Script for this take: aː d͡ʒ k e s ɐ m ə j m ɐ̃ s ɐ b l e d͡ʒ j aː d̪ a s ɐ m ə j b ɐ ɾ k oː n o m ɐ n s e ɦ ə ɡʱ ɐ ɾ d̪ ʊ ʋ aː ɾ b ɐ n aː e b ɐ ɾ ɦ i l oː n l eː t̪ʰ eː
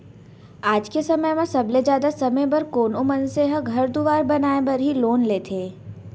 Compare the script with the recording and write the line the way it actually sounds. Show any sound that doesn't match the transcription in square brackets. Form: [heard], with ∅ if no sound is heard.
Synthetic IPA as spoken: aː d͡ʒ k e s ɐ m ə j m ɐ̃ s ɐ b l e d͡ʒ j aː d̪ a s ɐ m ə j b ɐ ɾ k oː n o m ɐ n s e ɦ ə ɡʱ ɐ ɾ d̪ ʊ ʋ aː ɾ b ɐ n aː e b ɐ ɾ ɦ i l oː n l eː t̪ʰ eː